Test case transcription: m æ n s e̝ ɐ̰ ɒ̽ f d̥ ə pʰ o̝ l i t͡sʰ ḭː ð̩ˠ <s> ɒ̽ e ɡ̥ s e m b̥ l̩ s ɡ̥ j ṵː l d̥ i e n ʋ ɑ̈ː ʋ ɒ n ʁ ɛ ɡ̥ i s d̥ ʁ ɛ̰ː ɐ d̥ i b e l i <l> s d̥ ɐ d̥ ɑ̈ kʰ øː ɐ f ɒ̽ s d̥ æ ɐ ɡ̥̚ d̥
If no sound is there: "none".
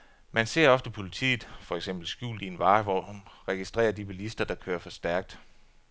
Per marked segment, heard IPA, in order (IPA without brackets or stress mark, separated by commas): f, none